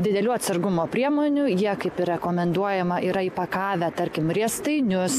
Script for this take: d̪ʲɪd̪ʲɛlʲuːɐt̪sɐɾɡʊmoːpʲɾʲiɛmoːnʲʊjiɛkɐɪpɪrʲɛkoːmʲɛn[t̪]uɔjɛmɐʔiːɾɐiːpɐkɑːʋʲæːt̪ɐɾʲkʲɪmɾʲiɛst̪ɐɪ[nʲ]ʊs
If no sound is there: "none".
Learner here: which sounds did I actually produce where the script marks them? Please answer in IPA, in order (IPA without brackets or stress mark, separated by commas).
d̪, nʲ